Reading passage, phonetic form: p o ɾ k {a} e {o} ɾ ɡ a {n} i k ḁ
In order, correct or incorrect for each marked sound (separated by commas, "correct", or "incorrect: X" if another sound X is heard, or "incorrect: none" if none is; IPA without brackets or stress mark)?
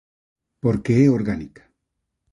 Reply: incorrect: e, correct, correct